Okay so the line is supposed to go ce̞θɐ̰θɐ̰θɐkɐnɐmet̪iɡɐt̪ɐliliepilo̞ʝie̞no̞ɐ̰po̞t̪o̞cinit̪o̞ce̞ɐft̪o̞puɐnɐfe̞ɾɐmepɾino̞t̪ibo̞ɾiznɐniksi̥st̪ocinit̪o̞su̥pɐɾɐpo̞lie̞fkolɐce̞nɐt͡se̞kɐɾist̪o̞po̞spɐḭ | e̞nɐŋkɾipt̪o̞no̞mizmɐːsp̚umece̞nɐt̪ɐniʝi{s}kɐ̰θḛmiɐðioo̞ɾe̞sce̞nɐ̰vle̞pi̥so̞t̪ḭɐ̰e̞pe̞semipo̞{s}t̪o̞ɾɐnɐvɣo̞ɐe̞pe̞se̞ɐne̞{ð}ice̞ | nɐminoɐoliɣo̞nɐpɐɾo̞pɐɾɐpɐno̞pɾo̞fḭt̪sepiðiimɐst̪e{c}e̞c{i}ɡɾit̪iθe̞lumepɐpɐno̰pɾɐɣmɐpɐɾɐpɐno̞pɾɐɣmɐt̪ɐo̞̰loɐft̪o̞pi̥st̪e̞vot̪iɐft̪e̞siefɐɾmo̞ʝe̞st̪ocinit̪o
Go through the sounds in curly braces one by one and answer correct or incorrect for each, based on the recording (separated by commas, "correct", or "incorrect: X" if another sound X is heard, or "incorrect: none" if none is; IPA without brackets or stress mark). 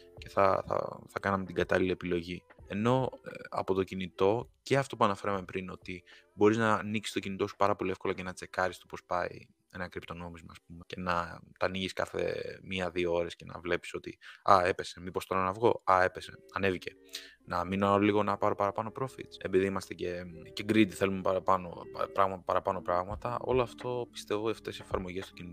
correct, correct, incorrect: v, correct, incorrect: e